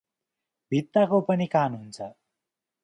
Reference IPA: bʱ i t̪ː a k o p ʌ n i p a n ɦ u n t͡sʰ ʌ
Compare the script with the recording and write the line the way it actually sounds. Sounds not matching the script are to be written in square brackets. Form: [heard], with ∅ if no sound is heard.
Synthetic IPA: bʱ i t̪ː a k o p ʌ n i [k] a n ɦ u n t͡sʰ ʌ